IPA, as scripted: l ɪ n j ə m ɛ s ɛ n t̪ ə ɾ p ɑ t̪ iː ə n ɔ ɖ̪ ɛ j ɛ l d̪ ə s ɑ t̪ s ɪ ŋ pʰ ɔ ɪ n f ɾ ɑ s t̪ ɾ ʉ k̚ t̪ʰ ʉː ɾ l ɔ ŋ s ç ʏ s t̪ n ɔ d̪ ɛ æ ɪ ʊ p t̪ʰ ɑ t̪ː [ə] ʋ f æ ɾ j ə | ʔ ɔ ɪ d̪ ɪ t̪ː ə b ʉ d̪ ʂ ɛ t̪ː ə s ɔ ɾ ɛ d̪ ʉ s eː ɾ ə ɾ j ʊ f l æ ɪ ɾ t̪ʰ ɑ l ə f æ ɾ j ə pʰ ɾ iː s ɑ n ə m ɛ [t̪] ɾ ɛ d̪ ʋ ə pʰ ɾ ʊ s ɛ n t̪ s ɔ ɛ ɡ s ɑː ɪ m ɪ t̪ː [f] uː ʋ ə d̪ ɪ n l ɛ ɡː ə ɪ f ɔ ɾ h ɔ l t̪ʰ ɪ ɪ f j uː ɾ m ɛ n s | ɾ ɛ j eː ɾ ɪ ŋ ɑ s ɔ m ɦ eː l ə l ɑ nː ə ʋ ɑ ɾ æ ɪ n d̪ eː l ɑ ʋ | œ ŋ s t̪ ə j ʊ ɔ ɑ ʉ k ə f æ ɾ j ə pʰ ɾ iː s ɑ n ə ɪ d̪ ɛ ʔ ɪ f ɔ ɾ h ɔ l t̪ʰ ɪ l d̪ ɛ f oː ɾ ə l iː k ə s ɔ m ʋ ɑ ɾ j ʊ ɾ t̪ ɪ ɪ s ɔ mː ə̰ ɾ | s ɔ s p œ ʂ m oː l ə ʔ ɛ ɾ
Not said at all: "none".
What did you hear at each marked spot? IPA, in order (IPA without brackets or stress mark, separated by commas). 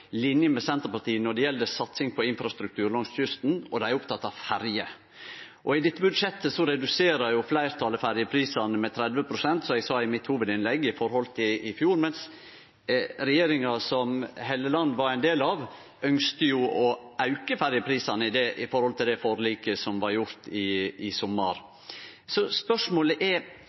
ɑ, t̪ʰ, h